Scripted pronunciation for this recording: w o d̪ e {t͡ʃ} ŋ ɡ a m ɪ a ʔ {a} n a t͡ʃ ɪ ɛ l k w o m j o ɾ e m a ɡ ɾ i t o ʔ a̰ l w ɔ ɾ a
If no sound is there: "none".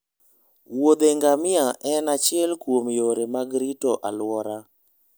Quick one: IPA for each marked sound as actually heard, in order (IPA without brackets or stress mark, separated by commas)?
none, ɛ